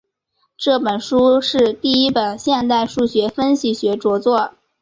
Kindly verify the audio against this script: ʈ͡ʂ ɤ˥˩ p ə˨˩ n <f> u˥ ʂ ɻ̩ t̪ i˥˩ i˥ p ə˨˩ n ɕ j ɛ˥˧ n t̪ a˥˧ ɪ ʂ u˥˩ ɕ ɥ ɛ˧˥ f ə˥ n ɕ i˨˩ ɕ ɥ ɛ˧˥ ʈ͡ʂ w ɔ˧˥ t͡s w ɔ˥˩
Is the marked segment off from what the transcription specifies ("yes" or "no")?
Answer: yes